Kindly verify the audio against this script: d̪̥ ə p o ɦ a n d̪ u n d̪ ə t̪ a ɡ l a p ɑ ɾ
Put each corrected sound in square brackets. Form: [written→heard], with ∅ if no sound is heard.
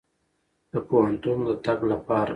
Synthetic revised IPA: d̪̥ ə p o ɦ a n [d̪→t̪] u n d̪ ə t̪ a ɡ l a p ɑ ɾ